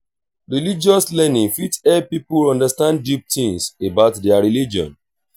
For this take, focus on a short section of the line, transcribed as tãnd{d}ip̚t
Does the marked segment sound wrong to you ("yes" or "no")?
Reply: no